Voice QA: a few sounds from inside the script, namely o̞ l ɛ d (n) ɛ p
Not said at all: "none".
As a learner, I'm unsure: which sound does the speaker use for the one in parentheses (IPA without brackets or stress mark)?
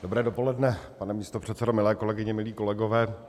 n